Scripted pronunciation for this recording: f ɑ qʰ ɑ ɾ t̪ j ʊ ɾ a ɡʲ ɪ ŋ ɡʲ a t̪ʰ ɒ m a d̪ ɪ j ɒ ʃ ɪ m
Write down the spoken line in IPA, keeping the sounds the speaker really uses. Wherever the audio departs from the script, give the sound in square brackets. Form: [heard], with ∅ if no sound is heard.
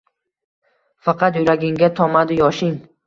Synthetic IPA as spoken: f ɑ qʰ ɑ [∅] t̪ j ʊ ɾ a ɡʲ ɪ ŋ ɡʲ a t̪ʰ ɒ m a d̪ ɪ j ɒ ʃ ɪ [ŋ]